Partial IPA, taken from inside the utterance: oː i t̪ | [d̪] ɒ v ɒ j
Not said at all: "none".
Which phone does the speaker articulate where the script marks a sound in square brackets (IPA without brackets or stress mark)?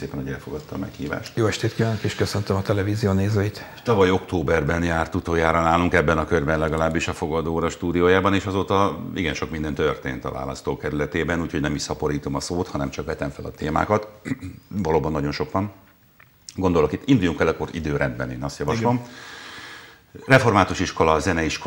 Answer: t̪